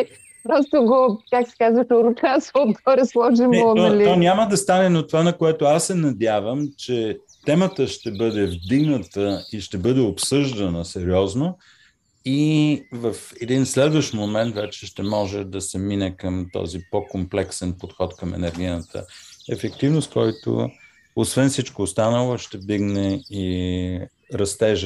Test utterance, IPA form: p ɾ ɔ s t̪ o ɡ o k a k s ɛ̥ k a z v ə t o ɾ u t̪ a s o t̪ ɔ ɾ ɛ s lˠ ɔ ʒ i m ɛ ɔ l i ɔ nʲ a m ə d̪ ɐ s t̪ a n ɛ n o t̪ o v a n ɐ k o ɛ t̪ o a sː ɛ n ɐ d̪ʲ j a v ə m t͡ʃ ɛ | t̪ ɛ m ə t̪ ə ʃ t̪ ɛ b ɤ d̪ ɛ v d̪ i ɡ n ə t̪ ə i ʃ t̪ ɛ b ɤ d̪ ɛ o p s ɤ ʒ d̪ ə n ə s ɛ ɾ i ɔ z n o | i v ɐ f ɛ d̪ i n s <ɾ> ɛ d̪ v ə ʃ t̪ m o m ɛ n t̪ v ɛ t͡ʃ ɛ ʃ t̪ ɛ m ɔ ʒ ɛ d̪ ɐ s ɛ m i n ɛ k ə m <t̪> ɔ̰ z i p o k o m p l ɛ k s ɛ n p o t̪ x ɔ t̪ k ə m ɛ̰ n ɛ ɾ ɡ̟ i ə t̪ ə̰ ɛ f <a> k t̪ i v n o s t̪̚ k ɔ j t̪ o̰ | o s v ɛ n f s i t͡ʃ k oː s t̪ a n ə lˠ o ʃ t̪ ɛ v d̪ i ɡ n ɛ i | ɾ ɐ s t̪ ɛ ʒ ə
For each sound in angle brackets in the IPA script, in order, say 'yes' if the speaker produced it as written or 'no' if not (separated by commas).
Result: no, yes, no